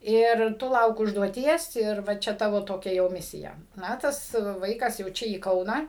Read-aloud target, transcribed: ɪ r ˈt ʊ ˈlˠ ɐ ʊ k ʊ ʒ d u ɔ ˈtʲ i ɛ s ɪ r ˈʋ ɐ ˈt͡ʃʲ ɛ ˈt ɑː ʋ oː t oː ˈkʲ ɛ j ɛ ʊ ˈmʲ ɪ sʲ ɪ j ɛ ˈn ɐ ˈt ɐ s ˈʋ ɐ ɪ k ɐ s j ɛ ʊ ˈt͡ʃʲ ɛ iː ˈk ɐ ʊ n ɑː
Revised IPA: ɪ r ˈt ʊ ˈlˠ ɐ ʊ k ʊ ʒ d u ɔ ˈtʲ i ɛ s ɪ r ˈʋ ɐ ˈt͡ʃʲ ɛ ˈt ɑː ʋ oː t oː ˈkʲ ɛ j ɛ ʊ ˈmʲ ɪ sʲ ɪ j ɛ ˈn ɐ ˈt ɐ s ˈʋ ɐ ɪ k ɐ s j ɛ ʊ ˈt͡ʃʲ ɛ iː ˈk ɐ ʊ n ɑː